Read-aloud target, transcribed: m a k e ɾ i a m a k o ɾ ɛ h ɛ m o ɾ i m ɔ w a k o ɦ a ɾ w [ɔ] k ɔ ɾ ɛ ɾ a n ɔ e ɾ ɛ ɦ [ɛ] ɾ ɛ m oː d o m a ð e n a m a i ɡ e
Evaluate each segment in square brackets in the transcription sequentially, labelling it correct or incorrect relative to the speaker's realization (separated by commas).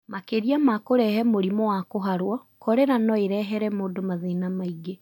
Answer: correct, correct